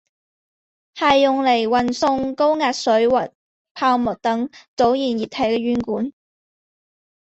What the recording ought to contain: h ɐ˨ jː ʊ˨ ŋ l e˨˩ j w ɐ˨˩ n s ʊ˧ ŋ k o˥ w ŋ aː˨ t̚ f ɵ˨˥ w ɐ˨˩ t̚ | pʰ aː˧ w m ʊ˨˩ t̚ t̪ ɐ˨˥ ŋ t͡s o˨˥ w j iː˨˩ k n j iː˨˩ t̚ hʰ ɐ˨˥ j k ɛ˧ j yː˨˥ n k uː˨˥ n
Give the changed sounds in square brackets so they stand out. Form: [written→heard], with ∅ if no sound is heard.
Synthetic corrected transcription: h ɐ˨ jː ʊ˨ ŋ l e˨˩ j w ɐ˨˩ n s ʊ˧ ŋ k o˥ w ŋ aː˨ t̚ [f→s] ɵ˨˥ w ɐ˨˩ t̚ | pʰ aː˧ w m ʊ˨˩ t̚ t̪ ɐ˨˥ ŋ t͡s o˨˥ w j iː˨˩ [k→∅] n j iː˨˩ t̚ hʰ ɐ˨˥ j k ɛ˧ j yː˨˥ n k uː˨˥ n

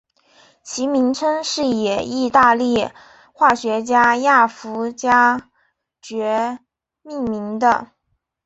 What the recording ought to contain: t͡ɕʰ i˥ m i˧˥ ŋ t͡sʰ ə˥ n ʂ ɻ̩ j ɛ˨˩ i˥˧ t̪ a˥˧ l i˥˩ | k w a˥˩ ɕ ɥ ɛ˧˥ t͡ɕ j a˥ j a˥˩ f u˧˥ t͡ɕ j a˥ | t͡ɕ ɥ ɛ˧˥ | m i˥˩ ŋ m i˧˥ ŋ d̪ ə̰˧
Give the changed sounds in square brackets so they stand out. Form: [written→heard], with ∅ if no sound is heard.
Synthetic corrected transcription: t͡ɕʰ [i˥→i˧˥] m i˧˥ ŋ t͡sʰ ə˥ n ʂ ɻ̩ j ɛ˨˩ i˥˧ t̪ a˥˧ l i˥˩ | [k→x] w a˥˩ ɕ ɥ ɛ˧˥ t͡ɕ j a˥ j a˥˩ f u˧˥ t͡ɕ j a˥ | t͡ɕ ɥ ɛ˧˥ | m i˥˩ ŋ m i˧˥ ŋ d̪ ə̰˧

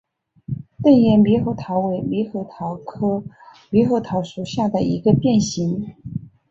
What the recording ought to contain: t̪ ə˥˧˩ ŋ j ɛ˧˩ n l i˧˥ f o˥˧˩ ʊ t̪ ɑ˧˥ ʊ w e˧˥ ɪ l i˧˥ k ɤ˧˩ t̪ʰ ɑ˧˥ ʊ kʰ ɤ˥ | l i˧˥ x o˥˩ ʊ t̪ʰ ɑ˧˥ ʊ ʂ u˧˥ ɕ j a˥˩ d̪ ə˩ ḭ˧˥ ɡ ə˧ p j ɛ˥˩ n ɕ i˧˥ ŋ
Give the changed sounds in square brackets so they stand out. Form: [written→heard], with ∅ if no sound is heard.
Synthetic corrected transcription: t̪ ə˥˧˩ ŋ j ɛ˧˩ n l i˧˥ [f→x] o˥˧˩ ʊ [t̪→t̪ʰ] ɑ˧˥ ʊ w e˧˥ ɪ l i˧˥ [k→x] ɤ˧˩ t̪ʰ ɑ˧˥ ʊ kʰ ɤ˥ | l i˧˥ x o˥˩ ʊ t̪ʰ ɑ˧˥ ʊ ʂ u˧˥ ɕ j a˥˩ d̪ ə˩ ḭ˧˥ ɡ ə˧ p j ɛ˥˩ n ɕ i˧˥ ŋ

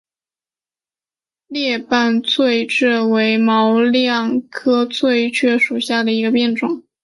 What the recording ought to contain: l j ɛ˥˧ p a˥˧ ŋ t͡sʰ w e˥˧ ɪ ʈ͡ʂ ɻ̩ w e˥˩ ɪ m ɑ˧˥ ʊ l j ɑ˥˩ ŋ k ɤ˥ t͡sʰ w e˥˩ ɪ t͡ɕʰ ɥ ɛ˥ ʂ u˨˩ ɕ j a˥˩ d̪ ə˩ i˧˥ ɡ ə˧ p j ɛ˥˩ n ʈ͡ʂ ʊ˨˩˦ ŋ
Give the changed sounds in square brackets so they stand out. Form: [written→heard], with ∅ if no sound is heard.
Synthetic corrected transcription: l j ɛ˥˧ p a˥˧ [ŋ→n] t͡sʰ w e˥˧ ɪ ʈ͡ʂ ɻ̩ w [e˥˩→e˧˥] ɪ m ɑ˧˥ ʊ l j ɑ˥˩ ŋ [k→kʰ] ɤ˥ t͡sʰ w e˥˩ ɪ t͡ɕʰ ɥ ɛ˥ ʂ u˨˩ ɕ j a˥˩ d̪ ə˩ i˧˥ ɡ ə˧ p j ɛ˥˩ n ʈ͡ʂ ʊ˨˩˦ ŋ

